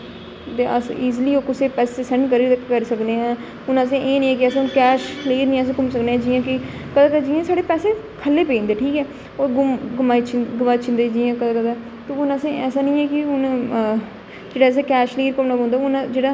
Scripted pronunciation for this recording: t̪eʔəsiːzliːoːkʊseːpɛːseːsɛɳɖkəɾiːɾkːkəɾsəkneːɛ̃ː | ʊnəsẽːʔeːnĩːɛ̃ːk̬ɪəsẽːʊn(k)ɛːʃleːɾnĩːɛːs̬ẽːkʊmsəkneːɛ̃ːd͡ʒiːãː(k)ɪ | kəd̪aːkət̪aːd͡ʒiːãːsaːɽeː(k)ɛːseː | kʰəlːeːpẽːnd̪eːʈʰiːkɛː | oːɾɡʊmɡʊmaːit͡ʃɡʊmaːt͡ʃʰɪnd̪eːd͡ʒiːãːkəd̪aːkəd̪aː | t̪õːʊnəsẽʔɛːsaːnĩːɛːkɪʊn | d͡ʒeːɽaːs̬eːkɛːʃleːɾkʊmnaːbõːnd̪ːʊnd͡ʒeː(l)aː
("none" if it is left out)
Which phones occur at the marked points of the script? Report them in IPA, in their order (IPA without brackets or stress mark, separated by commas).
k, k, p, ɽ